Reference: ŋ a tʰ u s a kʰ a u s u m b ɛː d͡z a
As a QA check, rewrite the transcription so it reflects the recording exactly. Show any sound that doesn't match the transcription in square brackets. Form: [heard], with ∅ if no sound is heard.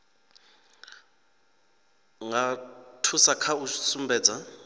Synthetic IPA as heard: ŋ a tʰ u s a kʰ a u s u m b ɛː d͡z a